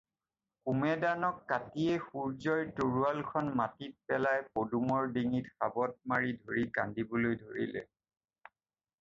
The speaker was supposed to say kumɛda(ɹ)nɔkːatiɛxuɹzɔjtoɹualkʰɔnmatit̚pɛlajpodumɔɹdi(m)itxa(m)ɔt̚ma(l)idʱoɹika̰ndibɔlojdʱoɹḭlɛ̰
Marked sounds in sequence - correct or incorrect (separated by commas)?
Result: incorrect, incorrect, incorrect, incorrect